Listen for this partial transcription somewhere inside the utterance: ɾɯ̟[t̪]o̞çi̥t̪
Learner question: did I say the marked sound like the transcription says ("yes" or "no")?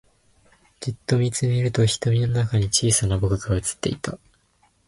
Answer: yes